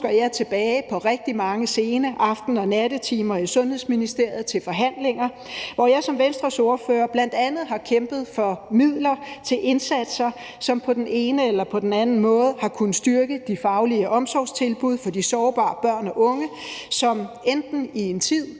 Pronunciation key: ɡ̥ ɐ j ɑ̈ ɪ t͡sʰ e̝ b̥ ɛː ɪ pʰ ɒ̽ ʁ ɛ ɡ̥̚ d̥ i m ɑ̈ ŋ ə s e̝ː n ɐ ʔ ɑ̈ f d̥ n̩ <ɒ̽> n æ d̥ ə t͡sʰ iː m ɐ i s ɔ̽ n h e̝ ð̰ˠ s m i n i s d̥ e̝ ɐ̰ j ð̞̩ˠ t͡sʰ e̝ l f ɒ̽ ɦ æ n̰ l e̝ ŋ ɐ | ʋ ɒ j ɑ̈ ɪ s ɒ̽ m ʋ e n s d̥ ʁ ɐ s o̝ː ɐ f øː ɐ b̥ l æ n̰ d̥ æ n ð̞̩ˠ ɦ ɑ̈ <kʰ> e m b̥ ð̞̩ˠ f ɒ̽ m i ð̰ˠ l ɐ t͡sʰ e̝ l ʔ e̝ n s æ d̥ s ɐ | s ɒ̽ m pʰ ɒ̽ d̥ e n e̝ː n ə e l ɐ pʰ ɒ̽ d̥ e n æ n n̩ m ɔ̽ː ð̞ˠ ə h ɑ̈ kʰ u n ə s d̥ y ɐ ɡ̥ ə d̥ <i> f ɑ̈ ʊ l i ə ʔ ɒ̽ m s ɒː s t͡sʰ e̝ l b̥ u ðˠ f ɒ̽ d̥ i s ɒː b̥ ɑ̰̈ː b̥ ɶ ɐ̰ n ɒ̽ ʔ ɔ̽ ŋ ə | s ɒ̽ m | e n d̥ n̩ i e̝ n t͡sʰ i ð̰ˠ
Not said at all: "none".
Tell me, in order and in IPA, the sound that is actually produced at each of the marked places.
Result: ɒ̽, kʰ, i

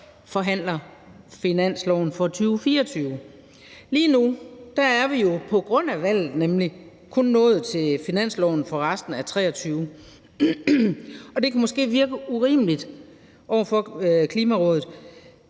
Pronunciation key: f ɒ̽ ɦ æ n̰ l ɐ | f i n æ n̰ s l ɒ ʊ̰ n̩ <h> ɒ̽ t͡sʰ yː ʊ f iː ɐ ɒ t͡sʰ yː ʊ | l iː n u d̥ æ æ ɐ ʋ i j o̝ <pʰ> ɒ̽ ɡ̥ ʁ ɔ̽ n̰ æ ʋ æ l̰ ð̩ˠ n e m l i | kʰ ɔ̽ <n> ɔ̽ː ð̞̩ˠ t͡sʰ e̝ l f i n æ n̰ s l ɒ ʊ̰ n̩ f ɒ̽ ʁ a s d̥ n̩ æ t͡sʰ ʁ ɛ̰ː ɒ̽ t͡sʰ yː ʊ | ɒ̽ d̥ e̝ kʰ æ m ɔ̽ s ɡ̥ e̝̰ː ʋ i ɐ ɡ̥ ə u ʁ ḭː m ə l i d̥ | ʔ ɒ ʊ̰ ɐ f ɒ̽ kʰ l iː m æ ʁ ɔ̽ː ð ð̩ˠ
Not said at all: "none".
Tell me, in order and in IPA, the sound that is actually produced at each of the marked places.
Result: f, pʰ, nː

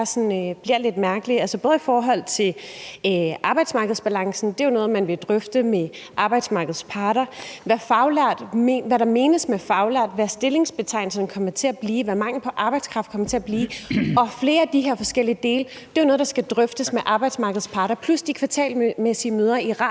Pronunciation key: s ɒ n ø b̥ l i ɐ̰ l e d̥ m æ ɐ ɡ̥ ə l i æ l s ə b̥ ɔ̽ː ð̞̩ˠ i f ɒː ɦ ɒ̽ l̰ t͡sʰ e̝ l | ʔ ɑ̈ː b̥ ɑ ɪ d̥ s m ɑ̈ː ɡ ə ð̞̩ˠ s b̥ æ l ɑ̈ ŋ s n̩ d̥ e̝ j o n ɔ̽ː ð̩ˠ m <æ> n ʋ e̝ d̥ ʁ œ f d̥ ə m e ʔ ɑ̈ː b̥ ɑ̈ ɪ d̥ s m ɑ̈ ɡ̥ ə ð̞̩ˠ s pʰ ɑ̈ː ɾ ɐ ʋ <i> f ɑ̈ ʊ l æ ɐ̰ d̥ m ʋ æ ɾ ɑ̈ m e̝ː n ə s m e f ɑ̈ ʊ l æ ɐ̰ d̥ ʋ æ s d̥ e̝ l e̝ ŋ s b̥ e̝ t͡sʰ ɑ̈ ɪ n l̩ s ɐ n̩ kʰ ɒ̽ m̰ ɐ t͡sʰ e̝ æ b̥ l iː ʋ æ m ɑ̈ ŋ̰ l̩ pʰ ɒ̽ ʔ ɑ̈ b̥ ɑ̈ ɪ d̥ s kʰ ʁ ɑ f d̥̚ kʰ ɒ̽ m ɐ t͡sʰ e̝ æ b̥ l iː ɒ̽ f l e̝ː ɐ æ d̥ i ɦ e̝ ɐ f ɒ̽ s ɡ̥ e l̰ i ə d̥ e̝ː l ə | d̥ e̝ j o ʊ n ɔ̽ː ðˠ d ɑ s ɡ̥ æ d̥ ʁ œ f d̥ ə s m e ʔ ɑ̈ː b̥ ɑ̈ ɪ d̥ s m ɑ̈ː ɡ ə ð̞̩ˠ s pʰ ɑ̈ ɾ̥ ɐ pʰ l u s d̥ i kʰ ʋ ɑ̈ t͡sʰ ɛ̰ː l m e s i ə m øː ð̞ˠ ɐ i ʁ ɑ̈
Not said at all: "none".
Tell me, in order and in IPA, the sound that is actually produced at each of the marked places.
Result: æ, æ

